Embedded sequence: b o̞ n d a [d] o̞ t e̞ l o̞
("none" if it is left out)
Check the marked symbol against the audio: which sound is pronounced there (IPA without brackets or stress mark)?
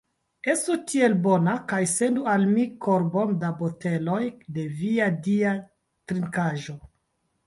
b